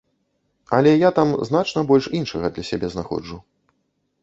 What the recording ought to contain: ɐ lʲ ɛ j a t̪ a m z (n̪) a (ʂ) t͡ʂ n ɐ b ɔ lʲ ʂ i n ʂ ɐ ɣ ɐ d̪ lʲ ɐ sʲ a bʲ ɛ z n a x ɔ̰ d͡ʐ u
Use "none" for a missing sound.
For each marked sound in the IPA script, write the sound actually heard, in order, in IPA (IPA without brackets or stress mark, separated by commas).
n̪, none